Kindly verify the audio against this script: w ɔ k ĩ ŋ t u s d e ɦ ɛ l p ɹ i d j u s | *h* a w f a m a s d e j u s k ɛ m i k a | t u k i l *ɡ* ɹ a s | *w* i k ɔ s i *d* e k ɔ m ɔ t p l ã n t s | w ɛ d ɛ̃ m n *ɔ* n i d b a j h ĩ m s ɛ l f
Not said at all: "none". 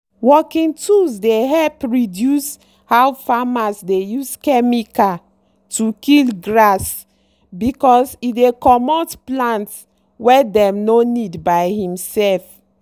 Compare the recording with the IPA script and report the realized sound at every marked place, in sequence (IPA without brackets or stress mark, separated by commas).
h, ɡ, b, d, o